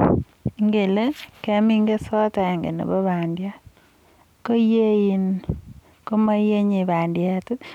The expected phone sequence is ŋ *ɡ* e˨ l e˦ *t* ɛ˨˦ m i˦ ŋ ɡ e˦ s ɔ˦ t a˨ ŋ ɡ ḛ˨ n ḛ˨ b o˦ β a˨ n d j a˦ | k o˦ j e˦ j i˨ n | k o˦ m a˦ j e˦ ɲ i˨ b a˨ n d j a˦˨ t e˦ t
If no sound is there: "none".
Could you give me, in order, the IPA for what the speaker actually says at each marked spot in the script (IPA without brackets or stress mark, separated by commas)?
ɡ, k